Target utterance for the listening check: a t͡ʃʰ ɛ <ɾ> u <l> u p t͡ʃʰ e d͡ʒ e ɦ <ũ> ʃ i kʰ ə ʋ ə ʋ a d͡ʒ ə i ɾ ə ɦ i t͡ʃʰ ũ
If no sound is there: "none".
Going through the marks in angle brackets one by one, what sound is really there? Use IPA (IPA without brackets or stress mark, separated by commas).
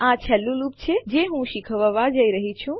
l, l, ũ